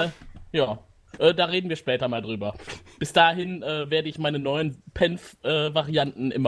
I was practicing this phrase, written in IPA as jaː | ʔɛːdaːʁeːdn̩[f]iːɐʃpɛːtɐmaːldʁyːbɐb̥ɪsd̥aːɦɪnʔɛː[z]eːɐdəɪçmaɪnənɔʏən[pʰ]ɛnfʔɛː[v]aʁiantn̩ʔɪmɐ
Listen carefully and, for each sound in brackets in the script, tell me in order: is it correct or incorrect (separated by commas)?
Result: incorrect, incorrect, correct, correct